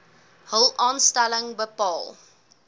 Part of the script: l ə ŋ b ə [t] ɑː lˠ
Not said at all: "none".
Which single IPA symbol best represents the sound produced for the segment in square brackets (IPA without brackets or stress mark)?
p